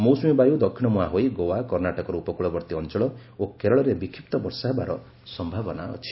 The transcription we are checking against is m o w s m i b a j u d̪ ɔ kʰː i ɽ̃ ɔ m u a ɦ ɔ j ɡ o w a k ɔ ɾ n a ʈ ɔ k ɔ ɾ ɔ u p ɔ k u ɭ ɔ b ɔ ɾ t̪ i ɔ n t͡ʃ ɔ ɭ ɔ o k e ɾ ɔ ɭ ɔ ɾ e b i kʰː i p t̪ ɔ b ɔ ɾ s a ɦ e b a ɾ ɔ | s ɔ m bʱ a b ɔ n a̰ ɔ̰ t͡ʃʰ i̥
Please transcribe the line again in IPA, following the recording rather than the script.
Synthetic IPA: m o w s m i b a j u d̪ ɔ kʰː i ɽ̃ ɔ m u a ɦ o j ɡ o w a k ɔ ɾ n a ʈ ɔ k ɔ ɾ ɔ u p ɔ k u ɭ ɔ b ɔ ɾ t̪ i ɔ n t͡ʃ ɔ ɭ ɔ o k e ɾ ɔ ɭ ɔ ɾ e b i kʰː i p t̪ ɔ b ɔ ɾ s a ɦ e b a ɾ ɔ | s ɔ m bʱ a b ɔ n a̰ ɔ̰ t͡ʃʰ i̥